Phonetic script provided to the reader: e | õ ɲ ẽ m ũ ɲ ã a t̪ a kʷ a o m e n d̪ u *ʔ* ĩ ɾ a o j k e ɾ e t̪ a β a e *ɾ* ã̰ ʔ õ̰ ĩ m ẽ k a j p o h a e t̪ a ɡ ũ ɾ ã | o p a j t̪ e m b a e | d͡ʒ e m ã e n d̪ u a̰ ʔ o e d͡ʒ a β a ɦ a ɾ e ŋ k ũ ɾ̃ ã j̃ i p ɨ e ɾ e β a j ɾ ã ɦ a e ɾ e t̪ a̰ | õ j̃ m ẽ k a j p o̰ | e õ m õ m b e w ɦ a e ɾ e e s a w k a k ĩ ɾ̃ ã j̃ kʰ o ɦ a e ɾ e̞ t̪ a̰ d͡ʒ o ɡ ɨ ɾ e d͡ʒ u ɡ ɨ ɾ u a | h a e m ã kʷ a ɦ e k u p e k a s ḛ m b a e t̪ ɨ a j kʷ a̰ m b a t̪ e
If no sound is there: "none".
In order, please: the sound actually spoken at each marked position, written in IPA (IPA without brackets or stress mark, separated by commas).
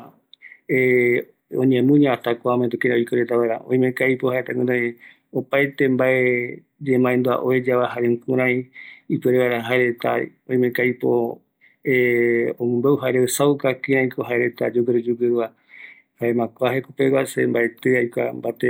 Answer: k, ɾ